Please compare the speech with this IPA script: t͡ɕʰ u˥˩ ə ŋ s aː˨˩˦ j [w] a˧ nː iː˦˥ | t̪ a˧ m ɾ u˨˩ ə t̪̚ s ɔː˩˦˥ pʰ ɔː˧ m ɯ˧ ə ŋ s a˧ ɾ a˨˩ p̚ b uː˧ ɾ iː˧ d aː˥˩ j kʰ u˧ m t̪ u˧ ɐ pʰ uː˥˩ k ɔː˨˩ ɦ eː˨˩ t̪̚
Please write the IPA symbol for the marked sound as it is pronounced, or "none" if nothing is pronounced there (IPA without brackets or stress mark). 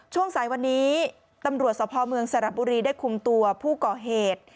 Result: w